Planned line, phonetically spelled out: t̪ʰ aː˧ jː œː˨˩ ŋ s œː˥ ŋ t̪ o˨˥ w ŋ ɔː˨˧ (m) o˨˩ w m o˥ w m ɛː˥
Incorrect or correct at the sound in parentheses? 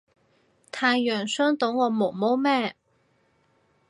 correct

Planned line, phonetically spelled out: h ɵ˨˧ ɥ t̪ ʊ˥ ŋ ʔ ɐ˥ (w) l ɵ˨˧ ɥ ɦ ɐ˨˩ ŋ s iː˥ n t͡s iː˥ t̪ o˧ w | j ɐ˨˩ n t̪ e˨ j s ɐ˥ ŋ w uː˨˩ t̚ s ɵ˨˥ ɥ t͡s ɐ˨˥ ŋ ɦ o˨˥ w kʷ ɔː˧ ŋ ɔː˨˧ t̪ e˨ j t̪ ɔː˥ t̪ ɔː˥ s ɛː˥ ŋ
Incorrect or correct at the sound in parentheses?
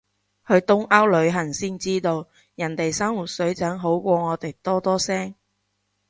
correct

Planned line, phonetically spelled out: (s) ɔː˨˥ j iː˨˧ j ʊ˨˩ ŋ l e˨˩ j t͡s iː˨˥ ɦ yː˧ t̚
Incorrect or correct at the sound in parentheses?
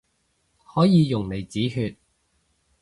incorrect: h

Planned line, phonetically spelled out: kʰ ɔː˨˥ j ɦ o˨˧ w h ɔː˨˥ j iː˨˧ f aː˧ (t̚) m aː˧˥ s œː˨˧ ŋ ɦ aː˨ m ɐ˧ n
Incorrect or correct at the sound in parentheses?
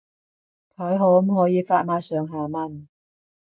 correct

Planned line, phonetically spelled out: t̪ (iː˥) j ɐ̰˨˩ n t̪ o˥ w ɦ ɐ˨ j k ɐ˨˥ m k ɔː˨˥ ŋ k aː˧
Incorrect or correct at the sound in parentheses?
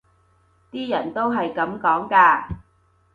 correct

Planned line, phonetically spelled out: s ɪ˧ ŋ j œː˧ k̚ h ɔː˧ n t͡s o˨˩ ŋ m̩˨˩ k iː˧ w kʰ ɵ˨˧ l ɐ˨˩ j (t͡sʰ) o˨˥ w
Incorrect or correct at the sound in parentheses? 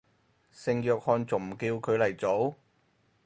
incorrect: t͡s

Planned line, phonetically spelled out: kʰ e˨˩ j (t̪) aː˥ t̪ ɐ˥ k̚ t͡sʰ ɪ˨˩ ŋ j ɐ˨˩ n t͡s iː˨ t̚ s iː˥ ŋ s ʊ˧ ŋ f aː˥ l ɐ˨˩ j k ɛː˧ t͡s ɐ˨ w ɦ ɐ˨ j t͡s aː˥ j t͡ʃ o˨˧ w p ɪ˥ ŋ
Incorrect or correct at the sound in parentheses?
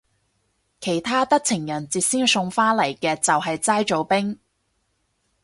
incorrect: t̪ʰ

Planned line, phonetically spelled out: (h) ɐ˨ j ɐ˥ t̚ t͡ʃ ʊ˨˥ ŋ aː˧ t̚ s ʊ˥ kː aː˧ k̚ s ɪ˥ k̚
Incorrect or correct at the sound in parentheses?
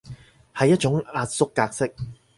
correct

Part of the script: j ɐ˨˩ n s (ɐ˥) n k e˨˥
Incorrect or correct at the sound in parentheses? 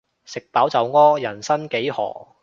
correct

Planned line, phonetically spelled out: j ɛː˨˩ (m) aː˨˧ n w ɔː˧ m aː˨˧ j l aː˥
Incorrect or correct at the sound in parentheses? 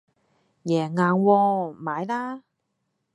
incorrect: ŋ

